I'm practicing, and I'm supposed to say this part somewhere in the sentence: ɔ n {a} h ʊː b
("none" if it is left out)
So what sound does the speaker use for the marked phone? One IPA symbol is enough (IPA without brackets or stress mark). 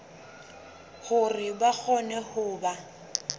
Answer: ɛ